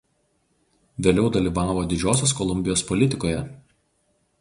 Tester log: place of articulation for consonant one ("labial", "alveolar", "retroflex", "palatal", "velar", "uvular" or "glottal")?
labial